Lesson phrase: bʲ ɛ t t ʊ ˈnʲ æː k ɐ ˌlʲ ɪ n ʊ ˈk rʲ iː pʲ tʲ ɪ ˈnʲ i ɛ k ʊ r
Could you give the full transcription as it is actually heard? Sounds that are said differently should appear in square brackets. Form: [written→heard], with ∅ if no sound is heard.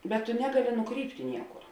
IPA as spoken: bʲ ɛ t t ʊ ˈnʲ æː [k→ɡ] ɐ ˌlʲ ɪ n ʊ ˈk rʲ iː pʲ tʲ ɪ ˈnʲ i ɛ k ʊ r